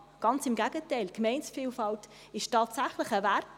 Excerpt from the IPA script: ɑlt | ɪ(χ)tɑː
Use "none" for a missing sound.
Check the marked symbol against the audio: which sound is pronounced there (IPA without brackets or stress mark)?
ʃ